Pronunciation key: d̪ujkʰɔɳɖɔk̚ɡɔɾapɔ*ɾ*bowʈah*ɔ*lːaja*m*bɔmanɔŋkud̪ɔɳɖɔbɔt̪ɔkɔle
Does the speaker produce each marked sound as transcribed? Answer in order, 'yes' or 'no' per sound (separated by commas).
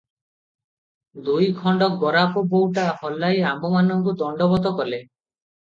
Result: no, yes, yes